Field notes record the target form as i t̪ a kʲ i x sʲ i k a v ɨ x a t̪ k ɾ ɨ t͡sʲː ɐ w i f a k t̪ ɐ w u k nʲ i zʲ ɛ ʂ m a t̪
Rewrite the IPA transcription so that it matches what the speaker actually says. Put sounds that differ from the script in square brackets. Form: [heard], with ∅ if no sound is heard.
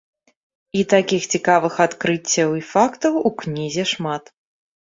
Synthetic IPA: i t̪ a kʲ i x [t͡sʲ] i k a v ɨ x a t̪ k ɾ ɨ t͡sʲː ɐ w i f a k t̪ ɐ w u k nʲ i zʲ ɛ ʂ m a t̪